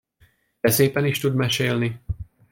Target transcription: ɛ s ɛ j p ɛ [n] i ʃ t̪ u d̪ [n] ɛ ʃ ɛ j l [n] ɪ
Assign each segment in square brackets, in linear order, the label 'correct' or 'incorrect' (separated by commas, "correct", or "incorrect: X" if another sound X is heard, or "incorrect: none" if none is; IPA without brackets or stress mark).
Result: correct, incorrect: m, correct